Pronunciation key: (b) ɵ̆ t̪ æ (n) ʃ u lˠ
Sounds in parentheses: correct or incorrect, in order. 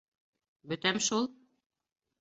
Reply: correct, incorrect: m

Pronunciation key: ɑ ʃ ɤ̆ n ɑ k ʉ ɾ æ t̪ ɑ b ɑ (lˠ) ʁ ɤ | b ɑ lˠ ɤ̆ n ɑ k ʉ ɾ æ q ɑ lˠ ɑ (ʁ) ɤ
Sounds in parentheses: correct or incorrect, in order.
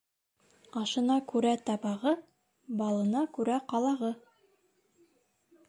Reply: incorrect: none, correct

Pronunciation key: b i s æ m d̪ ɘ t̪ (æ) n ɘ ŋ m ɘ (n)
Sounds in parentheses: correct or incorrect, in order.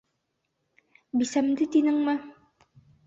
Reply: incorrect: i, incorrect: none

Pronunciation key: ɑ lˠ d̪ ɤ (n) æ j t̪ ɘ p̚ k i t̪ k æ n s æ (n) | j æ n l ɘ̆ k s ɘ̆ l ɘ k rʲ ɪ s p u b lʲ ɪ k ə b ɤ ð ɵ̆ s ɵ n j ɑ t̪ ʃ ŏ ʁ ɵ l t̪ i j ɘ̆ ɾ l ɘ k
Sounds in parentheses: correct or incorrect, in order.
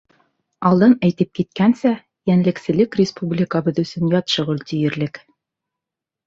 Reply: correct, incorrect: none

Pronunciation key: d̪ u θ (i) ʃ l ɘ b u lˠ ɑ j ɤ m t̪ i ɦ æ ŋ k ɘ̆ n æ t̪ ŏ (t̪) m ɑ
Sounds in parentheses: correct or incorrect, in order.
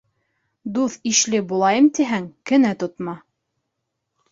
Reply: correct, correct

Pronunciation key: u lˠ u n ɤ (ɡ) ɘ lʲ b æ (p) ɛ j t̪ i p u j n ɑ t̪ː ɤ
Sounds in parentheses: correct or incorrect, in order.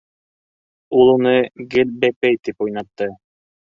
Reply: correct, correct

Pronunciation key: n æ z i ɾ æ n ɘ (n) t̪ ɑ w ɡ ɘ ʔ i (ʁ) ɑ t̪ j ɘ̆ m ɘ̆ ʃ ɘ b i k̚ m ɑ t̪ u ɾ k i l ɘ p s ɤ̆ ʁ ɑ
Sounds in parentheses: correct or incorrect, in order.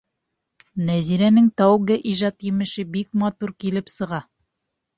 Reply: incorrect: ŋ, incorrect: ʒ

